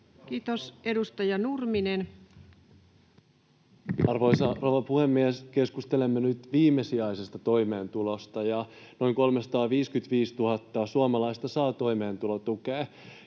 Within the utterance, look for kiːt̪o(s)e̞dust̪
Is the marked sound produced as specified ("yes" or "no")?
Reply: yes